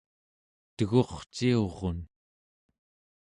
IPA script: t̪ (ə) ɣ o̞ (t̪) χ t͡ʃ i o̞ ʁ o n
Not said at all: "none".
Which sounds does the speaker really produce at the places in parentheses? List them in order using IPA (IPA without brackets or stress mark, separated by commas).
ə, none